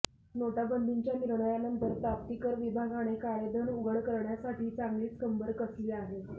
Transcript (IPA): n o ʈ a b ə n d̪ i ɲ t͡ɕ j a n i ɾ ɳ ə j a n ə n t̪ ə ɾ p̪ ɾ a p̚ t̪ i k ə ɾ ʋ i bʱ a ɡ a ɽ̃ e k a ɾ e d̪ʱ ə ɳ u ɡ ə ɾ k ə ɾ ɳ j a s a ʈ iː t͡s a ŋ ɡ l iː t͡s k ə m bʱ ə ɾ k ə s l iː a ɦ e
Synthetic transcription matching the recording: n o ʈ a b ə n d̪ i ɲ t͡ɕ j a n i ɾ ɳ ə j a n ə n t̪ ə ɾ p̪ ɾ a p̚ t̪ i k ə ɾ ʋ i bʱ a ɡ a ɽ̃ e k a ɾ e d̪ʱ ə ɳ u ɡ ə ɭ k ə ɾ ɳ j a s a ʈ iː t͡s a ŋ ɡ l iː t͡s k ə m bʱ ə ɾ k ə s l iː a ɦ e

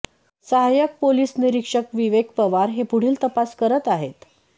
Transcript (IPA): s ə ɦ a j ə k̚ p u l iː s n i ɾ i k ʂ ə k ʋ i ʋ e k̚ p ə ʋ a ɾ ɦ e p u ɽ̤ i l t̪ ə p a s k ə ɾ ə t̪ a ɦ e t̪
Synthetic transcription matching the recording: s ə ɦ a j ə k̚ p o l iː s n i ɾ i k ʂ ə k ʋ i ʋ e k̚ p ə ʋ a ɾ ɦ e p u ɽ̤ iː l t̪ ə p a s k ə ɾ ə t̪ a ɦ e t̪

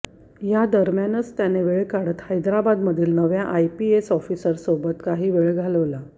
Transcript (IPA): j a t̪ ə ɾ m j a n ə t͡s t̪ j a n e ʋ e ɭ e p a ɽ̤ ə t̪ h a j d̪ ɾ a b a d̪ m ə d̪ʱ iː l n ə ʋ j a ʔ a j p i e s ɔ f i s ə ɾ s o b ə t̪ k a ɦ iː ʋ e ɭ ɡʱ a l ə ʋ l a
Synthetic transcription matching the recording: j a d̪ ə ɾ m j a n ə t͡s t̪ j a n e ʋ e ɭ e k a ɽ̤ ə t̪ h a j d̪ ɾ a b a d̪ m ə d̪ʱ iː l n ə ʋ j a ʔ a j p i e s ɔ f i s ə ɾ s o b ə t̪ k a ɦ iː ʋ e ɭ ɡʱ a l ə ʋ l a

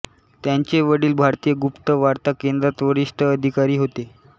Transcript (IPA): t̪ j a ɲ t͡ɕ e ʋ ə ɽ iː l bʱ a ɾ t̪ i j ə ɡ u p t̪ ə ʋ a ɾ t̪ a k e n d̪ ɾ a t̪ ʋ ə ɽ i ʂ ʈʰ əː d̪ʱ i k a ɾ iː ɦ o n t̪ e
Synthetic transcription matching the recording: t̪ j a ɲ t͡ɕ e ʋ ə ɽ iː l bʱ a ɾ t̪ i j ə ɡ u p t̪ ə ʋ a ɾ t̪ a k e n d̪ ɾ a t̪ ʋ ə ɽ i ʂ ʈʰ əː d̪ʱ i k a ɾ iː ɦ o t̪ e

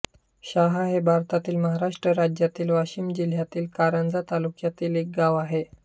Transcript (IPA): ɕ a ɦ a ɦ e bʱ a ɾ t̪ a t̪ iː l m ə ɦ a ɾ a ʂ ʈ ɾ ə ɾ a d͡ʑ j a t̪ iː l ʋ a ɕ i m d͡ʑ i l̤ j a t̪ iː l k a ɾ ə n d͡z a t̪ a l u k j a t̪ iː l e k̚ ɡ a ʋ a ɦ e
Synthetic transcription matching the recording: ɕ a ɦ a ɦ e bʱ a ɾ t̪ a t̪ iː l m ə ɦ a ɾ a ʂ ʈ ɾ ə ɾ a d͡ʑ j a t̪ iː l ʋ a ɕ i m d͡ʑ i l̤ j a t̪ iː l k a ɾ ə n d͡z a t̪ a l u k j a t̪ iː l e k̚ ɡ a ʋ a ɦ e

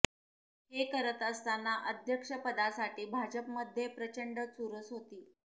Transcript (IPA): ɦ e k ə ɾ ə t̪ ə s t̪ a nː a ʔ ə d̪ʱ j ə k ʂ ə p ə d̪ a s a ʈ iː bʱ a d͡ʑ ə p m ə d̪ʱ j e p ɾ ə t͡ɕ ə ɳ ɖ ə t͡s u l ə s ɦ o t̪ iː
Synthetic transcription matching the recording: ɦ e k ə ɾ ə t̪ ə s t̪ a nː a ʔ ə d̪ʱ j ə k ʂ ə p ə d̪ a s a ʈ iː bʱ a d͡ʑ ə p m ə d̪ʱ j e p ɾ ə t͡ɕ ə ɳ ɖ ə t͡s u ɾ ə s ɦ o t̪ iː

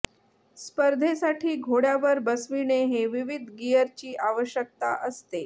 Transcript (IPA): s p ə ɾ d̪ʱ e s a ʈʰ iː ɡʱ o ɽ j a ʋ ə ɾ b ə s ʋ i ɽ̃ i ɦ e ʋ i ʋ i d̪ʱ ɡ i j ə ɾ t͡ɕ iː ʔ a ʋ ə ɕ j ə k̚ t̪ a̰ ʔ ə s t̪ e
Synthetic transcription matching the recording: s p ə ɾ d̪ʱ e s a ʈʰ iː ɡʱ o ɽ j a ʋ ə ɾ b ə s ʋ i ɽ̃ e ɦ e ʋ i ʋ i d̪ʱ ɡ i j ə ɾ t͡ɕ iː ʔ a ʋ ə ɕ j ə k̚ t̪ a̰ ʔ ə s t̪ e

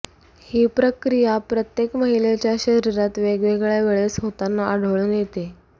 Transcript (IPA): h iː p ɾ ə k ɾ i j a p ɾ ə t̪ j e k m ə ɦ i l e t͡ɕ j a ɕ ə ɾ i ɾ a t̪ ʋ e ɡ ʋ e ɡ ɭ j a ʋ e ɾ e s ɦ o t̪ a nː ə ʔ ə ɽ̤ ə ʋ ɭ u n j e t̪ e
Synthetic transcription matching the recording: h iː p ɾ ə k ɾ i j a p ɾ ə t̪ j e k m ə ɦ i l e t͡ɕ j a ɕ ə ɾ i ɾ a t̪ ʋ e ɡ ʋ e ɡ ɭ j a ʋ e ɭ e s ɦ o t̪ a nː a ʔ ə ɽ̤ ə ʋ ɭ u n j e t̪ e

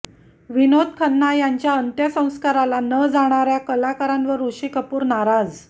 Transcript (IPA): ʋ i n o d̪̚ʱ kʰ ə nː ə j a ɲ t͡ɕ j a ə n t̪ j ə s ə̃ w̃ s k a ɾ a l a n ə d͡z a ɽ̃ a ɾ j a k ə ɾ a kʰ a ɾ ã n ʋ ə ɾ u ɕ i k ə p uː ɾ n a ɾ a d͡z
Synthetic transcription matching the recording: ʋ i n o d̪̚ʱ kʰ ə nː a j a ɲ t͡ɕ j a ə n t̪ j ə s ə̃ w̃ s k a ɾ a l a n ə d͡z a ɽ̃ a ɾ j a k ə l a k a ɾ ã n ʋ ə ɾ u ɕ i k ə p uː ɾ n a ɾ a d͡z

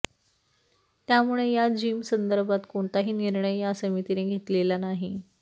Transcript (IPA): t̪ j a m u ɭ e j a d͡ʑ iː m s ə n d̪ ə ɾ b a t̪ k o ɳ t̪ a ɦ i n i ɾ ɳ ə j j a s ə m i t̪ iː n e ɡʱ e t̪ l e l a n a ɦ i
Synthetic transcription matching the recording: t̪ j a m u ɭ e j a d͡ʑ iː m s ə n d̪ ə ɾ b a t̪ k o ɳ t̪ a ɦ iː n i ɾ ɳ ə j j a s ə m i t̪ i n e ɡʱ e t̪ l e l a n a ɦ i

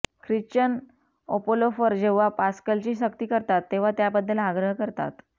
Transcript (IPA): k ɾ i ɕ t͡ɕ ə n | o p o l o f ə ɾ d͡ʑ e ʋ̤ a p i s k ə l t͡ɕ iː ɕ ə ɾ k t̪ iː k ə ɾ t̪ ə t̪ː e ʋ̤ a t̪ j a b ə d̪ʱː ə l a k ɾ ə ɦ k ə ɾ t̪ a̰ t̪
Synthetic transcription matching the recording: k ɾ i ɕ t͡ɕ ə n | o p o l o f ə ɾ d͡ʑ e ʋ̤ a p a s k ə l t͡ɕ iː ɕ ə k t̪ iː k ə ɾ t̪ a t̪ː e ʋ̤ a t̪ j a b ə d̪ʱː ə l a ɡ ɾ ə ɦ k ə ɾ t̪ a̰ t̪

